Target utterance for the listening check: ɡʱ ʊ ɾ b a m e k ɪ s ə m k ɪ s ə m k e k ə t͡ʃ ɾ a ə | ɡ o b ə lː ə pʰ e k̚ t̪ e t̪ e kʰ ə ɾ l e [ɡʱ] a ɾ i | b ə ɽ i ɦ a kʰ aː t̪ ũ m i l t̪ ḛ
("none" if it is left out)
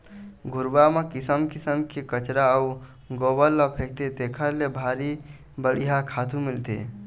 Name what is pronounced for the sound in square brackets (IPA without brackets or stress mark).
bʱ